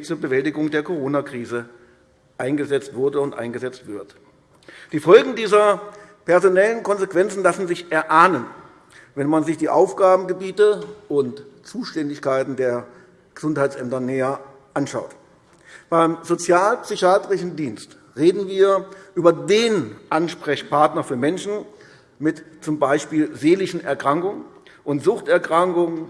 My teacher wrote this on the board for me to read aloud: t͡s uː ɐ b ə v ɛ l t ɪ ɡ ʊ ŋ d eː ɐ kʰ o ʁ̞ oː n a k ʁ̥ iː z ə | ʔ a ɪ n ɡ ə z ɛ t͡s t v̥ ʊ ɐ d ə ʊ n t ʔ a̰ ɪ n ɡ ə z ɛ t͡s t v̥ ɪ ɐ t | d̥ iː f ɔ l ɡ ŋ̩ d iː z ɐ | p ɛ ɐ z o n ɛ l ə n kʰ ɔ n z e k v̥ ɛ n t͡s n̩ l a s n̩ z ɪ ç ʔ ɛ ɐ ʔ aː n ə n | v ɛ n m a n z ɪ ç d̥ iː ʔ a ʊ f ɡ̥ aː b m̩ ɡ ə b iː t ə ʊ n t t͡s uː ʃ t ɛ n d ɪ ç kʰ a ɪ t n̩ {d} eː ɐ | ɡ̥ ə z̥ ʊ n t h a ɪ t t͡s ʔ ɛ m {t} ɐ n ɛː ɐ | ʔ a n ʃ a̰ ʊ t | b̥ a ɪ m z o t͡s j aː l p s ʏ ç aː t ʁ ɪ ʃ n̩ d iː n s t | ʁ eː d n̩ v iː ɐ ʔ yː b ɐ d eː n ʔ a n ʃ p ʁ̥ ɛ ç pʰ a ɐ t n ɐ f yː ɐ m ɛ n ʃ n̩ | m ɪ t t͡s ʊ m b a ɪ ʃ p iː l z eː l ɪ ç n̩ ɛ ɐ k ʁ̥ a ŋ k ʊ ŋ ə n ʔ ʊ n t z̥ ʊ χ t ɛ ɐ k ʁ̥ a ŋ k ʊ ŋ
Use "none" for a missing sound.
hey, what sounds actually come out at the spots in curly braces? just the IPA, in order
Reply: d, t

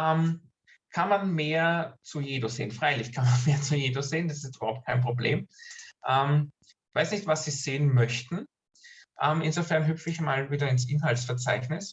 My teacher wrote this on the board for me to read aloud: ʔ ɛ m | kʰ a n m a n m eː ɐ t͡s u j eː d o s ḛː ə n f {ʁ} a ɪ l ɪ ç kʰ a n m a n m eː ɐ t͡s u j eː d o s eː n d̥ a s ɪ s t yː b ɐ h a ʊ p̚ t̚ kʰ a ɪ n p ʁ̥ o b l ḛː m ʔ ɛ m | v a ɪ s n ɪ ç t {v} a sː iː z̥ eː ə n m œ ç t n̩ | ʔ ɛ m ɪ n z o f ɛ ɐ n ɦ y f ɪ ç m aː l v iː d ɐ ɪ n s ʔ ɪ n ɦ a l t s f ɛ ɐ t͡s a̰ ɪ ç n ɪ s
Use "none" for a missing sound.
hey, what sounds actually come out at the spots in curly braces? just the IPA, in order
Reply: ʁ, v

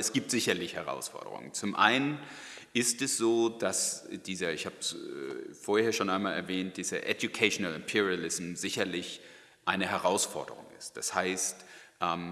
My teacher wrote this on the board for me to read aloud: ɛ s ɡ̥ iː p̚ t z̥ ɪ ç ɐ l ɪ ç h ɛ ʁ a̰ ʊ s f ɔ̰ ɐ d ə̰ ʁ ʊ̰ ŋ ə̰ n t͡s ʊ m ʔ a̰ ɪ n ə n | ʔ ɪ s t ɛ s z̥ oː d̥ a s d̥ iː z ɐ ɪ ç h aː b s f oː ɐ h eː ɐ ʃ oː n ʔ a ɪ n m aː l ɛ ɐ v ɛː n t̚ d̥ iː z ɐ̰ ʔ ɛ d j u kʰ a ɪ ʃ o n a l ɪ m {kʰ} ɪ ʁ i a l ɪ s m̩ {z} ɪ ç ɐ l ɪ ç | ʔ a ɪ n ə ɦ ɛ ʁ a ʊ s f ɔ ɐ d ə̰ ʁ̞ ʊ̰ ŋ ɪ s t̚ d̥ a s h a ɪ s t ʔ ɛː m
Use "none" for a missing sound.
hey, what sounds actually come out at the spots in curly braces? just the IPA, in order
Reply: pʰ, z

